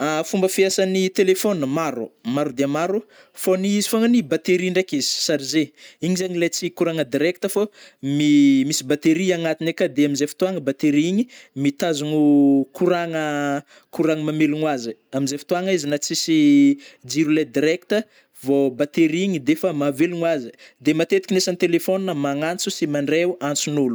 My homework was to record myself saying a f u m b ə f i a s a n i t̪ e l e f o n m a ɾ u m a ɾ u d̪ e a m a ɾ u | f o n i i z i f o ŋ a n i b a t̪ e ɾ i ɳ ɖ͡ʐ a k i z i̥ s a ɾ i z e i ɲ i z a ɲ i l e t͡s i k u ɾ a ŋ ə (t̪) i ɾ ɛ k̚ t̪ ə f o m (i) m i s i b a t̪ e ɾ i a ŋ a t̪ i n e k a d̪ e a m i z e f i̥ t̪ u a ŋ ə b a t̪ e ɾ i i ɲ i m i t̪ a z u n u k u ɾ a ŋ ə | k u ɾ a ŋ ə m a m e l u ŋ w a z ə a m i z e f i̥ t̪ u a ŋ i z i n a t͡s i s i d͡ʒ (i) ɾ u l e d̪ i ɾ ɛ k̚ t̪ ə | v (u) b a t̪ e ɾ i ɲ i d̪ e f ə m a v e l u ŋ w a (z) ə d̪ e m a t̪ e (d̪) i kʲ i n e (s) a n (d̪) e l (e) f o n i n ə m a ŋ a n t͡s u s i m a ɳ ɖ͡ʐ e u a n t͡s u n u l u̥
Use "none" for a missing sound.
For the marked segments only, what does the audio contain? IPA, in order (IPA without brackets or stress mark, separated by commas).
d̪, i, i, o, z, t̪, s, t̪, e